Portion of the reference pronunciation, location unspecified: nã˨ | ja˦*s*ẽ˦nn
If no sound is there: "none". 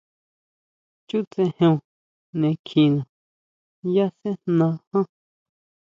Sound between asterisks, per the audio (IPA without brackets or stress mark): s